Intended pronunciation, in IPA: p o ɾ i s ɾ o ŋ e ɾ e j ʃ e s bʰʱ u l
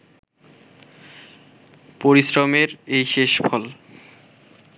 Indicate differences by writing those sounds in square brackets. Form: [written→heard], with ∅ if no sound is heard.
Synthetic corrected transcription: p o ɾ i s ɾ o [ŋ→m] e ɾ e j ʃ e [s→ʃ] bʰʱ [u→ɔ] l